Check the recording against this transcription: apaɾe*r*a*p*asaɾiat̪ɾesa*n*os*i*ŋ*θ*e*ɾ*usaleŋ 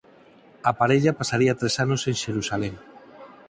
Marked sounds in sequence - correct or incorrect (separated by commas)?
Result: incorrect, correct, correct, incorrect, incorrect, correct